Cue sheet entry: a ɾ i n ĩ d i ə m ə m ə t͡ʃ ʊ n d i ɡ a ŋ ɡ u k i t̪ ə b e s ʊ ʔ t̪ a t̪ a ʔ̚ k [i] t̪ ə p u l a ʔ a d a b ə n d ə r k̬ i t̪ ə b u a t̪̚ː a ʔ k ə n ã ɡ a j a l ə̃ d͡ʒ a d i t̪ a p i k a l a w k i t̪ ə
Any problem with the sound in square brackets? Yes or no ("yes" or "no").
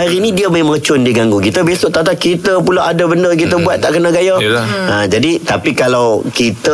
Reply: no